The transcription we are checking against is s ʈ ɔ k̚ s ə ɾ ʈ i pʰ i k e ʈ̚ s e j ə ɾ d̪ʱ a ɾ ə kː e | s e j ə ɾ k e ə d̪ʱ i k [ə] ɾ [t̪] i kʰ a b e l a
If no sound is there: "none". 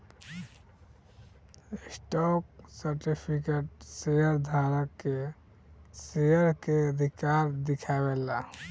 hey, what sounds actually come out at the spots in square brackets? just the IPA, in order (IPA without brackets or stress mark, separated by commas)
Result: a, d̪